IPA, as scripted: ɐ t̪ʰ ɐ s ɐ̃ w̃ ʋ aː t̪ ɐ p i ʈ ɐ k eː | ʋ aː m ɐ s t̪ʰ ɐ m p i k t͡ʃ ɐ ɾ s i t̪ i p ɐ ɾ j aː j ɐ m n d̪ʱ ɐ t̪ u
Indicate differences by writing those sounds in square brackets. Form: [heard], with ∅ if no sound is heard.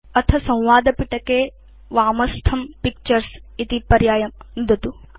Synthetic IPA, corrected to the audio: ɐ t̪ʰ ɐ s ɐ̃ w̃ ʋ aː [d̪] ɐ p i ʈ ɐ k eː | ʋ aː m ɐ s t̪ʰ ɐ m p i k t͡ʃ ɐ ɾ s i t̪ i p ɐ ɾ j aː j ɐ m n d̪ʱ ɐ t̪ u